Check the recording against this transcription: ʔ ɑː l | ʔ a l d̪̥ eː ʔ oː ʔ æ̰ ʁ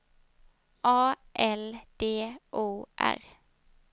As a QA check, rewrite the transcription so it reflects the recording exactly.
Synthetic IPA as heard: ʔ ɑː | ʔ ɛ l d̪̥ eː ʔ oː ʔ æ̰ ʁ